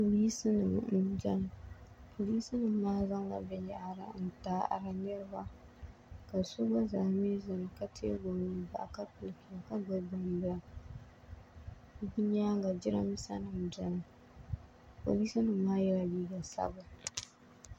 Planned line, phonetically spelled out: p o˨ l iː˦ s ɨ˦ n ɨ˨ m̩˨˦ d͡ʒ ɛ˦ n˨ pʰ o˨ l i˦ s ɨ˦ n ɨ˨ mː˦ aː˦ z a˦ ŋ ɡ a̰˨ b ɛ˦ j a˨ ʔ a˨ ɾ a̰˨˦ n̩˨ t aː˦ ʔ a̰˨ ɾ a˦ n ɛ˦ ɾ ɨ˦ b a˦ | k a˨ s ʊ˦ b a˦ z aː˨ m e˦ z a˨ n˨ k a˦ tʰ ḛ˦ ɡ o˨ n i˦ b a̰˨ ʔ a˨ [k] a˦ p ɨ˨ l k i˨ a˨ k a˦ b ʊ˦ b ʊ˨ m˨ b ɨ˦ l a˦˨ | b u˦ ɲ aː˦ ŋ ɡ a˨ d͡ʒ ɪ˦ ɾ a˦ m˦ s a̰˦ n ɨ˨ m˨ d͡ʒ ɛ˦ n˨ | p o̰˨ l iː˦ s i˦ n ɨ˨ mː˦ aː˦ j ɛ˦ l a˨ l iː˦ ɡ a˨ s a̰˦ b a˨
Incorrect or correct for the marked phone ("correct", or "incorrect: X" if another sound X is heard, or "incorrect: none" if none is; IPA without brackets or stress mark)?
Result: correct